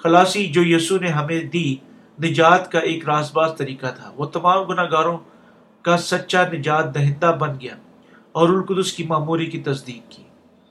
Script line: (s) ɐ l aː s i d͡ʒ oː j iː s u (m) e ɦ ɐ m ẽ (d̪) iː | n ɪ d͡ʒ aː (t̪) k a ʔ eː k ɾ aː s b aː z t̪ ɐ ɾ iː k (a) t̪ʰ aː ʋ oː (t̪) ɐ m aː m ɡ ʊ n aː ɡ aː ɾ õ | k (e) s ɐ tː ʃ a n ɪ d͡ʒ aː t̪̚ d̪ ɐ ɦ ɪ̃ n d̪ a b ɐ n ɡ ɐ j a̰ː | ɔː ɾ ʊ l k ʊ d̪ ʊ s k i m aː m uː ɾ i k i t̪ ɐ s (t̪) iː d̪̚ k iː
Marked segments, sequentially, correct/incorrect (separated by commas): incorrect, incorrect, correct, correct, correct, correct, incorrect, incorrect